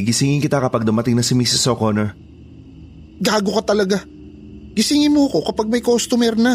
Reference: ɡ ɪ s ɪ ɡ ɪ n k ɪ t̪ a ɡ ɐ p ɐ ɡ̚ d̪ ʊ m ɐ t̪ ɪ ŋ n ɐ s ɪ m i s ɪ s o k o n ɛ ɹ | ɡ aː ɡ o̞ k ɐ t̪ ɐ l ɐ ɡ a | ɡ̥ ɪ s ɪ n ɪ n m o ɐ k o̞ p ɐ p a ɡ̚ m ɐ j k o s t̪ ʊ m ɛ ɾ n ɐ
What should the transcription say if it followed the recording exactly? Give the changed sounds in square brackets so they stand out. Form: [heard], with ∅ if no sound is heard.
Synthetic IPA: ɡ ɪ s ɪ [ŋ] ɪ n k ɪ t̪ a [k] ɐ p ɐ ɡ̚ d̪ ʊ m ɐ t̪ ɪ ŋ n ɐ s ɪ m i s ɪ s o k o n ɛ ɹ | ɡ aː ɡ o̞ k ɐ t̪ ɐ l ɐ ɡ a | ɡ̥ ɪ s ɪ [ŋ] ɪ n m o ɐ k o̞ [k] ɐ p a ɡ̚ m ɐ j k o s t̪ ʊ m ɛ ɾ n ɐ